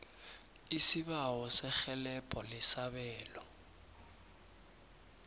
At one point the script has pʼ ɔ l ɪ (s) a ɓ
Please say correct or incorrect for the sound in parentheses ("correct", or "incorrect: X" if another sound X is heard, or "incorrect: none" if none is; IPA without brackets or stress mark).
correct